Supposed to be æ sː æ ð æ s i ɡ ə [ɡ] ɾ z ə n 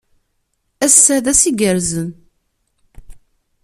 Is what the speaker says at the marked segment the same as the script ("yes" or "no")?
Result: no